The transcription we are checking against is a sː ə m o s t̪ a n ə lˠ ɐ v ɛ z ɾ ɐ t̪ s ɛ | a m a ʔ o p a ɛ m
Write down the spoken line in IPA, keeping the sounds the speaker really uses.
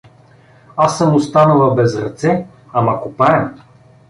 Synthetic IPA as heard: a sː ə m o s t̪ a n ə lˠ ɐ b ɛ z ɾ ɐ t̪ s ɛ | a m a k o p a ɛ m

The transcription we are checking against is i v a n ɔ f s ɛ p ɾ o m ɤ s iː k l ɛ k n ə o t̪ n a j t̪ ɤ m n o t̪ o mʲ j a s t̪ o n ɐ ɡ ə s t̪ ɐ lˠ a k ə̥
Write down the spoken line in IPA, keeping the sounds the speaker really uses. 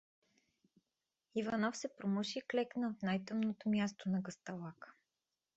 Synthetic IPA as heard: i v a n ɔ f s ɛ p ɾ o m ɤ ʃ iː k l ɛ k n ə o t̪ n a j t̪ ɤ m n o t̪ o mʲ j a s t̪ o n ɐ ɡ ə s t̪ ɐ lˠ a k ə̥

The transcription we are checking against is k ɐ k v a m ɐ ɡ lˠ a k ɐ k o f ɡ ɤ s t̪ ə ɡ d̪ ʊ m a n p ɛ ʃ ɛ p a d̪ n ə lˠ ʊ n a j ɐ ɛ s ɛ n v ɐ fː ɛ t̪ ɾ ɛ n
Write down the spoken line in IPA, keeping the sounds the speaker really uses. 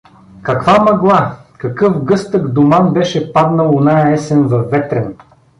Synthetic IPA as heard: k ɐ k v a m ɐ ɡ lˠ a k ɐ k ɤ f ɡ ɤ s t̪ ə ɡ d̪ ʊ m a n b ɛ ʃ ɛ p a d̪ n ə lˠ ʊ n a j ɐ ɛ s ɛ n v ɐ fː ɛ t̪ ɾ ɛ n

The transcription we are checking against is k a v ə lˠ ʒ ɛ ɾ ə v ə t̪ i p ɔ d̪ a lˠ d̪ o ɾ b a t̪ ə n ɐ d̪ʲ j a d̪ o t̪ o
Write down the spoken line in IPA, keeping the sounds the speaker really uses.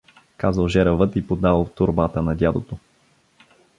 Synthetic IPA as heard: k a z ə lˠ ʒ ɛ ɾ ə v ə t̪ i p o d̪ a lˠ t̪ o ɾ b a t̪ ə n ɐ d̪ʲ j a d̪ o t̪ o

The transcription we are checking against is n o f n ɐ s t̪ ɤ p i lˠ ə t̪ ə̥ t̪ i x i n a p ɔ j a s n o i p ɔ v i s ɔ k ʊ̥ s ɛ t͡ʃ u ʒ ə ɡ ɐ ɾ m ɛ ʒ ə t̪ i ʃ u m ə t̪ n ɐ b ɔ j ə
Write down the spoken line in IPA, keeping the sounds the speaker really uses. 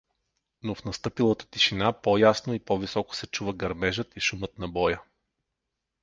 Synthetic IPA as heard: n o f n ɐ s t̪ ɤ p i lˠ ə t̪ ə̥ t̪ i ʃ i n a p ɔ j a s n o i p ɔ v i s ɔ k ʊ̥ s ɛ t͡ʃ u v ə ɡ ɐ ɾ m ɛ ʒ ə t̪ i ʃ u m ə t̪ n ɐ b ɔ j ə

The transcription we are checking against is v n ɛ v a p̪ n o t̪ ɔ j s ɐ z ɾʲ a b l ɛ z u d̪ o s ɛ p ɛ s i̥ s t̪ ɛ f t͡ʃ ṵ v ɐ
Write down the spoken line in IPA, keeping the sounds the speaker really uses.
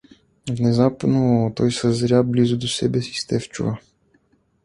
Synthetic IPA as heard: v n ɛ z a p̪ n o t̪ ɔ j s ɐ z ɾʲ a b l i z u d̪ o s ɛ b ɛ s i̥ s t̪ ɛ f t͡ʃ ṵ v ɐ

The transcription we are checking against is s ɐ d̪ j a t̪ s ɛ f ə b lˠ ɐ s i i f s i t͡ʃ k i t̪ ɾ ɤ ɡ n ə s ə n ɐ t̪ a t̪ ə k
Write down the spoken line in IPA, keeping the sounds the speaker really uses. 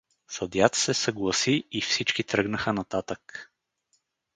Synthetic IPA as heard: s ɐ d̪ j a t̪ s ɛ s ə ɡ lˠ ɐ s i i f s i t͡ʃ k i t̪ ɾ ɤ ɡ n ə x ə n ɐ t̪ a t̪ ə k

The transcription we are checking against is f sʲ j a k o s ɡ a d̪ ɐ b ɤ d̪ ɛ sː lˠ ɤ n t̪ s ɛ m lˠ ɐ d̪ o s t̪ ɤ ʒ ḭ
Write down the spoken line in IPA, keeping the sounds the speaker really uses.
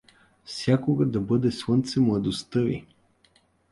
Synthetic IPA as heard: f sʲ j a k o ɡ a d̪ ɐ b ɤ d̪ ɛ s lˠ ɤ n t̪ s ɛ m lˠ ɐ d̪ o s t̪ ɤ v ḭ

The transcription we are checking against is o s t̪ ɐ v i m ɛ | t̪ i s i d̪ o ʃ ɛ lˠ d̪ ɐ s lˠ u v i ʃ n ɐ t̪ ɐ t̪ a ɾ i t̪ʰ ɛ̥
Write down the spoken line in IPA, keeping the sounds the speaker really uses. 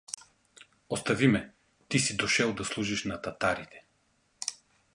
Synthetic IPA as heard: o s t̪ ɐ v i m ɛ | t̪ i s i d̪ o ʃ ɛ lˠ d̪ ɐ s lˠ u ʒ i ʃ n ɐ t̪ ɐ t̪ a ɾ i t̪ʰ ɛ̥

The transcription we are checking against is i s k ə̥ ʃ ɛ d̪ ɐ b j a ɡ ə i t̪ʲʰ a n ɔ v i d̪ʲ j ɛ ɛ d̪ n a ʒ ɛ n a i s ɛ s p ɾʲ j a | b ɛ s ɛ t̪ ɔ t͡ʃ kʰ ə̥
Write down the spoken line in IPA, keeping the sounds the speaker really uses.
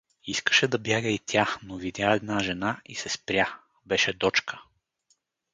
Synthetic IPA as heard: i s k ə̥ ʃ ɛ d̪ ɐ b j a ɡ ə i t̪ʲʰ a n o v i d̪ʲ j a ɛ d̪ n a ʒ ɛ n a i s ɛ s p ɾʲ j a | b ɛ ʃ ɛ d̪ ɔ t͡ʃ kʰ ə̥

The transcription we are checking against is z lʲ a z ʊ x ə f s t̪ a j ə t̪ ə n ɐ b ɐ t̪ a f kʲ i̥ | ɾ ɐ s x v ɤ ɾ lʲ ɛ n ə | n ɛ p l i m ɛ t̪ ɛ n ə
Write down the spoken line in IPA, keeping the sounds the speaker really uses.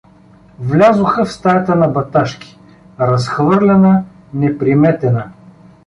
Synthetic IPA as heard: v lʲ a z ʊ x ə f s t̪ a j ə t̪ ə n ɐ b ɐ t̪ a ʃ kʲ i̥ | ɾ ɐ s x v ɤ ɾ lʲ ɛ n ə | n ɛ p ɾ i m ɛ t̪ ɛ n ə

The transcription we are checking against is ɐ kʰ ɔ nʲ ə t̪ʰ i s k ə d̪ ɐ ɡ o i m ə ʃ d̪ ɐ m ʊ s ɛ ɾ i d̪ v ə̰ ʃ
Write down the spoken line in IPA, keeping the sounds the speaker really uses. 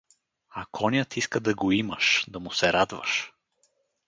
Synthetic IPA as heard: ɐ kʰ ɔ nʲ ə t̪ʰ i s k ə d̪ ɐ ɡ o i m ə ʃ d̪ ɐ m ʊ s ɛ ɾ a d̪ v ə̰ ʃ

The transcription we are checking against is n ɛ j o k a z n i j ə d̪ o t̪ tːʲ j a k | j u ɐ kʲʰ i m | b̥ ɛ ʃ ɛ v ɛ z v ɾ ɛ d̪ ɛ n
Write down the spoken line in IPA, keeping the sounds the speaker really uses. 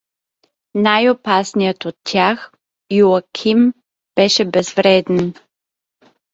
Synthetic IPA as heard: n a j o p a s n i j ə t̪ o t̪ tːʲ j a x | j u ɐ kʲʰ i m | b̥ ɛ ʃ ɛ b ɛ z v ɾ ɛ d̪ ɛ n

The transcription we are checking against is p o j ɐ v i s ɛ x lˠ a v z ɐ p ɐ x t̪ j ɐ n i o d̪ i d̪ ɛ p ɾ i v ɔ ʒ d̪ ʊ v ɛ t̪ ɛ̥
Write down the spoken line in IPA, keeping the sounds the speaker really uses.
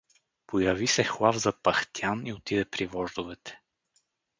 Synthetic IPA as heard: p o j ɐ v i s ɛ x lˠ a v z ɐ p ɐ x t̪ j a n i o t̪ i d̪ ɛ p ɾ i v ɔ ʒ d̪ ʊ v ɛ t̪ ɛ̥

